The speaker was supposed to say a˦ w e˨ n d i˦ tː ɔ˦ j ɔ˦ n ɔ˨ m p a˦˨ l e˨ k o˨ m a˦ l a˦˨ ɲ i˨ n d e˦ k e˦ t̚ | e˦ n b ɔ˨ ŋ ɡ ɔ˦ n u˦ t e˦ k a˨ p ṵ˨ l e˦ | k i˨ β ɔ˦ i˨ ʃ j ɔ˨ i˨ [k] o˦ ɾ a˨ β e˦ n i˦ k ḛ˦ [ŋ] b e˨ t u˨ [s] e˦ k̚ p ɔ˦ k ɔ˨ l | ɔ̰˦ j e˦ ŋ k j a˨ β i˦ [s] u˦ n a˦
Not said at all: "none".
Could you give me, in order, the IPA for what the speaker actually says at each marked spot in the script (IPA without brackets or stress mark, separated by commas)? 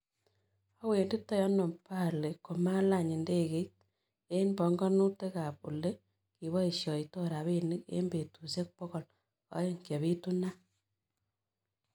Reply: t, m, s, t